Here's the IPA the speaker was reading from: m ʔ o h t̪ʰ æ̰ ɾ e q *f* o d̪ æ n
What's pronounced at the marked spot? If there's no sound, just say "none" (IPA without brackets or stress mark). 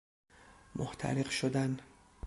ʃ